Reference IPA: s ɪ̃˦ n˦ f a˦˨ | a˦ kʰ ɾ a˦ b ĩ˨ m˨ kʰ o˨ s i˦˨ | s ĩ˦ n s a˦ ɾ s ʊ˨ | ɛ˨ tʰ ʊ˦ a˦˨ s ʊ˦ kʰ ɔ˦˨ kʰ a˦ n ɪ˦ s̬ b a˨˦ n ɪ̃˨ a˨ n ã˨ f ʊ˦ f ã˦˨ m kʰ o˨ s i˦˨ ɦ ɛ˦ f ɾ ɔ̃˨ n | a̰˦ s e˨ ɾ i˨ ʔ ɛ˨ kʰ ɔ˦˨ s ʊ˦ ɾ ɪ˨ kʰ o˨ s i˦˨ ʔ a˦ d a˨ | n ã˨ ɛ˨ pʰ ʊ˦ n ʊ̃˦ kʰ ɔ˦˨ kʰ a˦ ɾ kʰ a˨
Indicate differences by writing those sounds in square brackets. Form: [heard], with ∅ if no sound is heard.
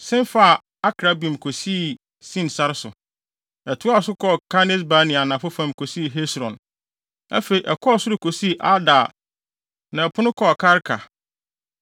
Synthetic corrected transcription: s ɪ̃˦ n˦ f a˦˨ | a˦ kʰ ɾ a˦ b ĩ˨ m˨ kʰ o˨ s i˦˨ | s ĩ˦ n s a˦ ɾ s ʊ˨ | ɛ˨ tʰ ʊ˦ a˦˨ s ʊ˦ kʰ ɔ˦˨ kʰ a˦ n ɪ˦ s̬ b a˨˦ n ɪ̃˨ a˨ n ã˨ f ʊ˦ f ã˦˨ m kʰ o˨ s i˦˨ ɦ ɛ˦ [s] ɾ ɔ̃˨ n | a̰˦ [f] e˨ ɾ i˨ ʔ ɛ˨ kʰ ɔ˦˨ s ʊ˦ ɾ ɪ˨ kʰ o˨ s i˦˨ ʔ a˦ d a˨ | n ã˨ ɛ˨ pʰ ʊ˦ n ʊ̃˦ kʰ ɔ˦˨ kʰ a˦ ɾ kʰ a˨